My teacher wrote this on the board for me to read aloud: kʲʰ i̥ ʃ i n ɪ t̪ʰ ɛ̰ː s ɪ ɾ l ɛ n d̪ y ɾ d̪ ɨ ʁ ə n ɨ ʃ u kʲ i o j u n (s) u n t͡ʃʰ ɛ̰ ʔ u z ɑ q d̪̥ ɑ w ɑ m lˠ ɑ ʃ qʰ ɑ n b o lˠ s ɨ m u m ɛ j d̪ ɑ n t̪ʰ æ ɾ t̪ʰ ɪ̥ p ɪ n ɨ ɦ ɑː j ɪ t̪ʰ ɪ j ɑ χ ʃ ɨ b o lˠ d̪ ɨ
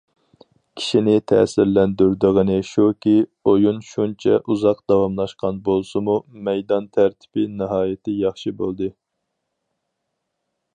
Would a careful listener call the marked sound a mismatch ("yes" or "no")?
yes